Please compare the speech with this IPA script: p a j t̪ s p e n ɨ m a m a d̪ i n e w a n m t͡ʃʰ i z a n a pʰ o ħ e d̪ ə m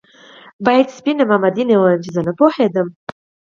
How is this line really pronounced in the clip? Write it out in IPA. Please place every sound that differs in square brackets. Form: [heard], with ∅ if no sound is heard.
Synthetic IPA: [b] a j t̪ s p [i] n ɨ m a m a d̪ i n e w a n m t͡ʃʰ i z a n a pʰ o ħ e d̪ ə m